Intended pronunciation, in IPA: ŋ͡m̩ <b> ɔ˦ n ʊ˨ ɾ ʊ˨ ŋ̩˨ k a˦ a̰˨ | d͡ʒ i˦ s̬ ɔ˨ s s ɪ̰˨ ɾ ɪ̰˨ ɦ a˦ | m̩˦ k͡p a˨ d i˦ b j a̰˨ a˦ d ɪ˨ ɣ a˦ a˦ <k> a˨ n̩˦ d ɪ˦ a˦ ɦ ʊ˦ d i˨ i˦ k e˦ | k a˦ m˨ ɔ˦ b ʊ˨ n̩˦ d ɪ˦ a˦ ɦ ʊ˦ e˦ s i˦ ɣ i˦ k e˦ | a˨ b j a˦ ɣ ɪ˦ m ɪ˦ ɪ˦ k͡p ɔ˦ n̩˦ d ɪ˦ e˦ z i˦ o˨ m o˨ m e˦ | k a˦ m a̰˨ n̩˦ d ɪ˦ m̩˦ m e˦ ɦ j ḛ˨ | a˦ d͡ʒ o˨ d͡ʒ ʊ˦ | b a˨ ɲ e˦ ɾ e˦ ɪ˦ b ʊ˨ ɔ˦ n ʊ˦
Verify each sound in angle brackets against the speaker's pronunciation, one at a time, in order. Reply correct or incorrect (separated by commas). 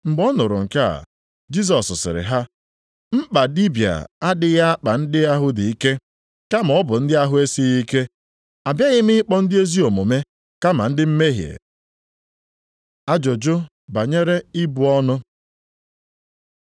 incorrect, incorrect